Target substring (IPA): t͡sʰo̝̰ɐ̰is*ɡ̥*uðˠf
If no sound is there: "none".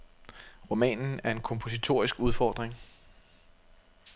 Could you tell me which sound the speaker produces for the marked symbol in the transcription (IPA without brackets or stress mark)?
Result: ɡ̥